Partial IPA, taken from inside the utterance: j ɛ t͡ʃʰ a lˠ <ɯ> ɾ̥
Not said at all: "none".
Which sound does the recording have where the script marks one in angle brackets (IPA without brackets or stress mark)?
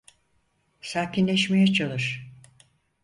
ɯ